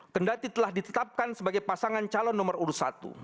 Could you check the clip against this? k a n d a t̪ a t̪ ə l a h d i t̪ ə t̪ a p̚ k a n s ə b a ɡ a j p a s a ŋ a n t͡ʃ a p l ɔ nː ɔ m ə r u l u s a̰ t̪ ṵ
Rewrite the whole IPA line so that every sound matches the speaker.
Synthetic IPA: k ə n d a t̪ i t̪ ə l a h d i t̪ ə t̪ a p̚ k a n s ə b a ɡ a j p a s a ŋ a n t͡ʃ a l ɔ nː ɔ m ə r u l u s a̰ t̪ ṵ